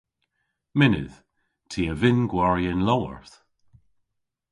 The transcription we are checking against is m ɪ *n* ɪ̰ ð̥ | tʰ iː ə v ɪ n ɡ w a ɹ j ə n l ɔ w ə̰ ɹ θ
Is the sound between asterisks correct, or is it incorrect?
correct